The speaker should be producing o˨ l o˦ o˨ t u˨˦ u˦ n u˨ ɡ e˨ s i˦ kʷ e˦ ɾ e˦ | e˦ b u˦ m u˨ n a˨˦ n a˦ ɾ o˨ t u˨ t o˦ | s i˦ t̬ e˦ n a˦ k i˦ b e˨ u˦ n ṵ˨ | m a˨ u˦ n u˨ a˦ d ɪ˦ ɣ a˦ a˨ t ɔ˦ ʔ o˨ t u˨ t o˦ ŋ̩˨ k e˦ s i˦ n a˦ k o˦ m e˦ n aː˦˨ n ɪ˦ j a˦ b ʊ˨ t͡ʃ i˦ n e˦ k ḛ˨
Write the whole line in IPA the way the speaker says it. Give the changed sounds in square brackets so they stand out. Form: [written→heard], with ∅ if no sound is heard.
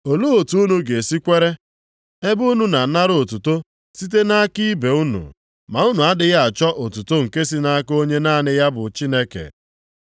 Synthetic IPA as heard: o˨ l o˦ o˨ t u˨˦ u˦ n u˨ ɡ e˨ s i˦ kʷ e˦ ɾ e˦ | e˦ b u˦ [m→n] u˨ n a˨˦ n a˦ ɾ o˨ t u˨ t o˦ | s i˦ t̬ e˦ n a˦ k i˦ b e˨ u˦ n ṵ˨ | m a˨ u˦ n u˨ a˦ d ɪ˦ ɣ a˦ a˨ [t→t͡ʃ] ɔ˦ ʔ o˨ t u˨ t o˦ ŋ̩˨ k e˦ s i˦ n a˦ k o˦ [m→ɲ] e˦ n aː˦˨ n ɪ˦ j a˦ b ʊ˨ t͡ʃ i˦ n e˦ k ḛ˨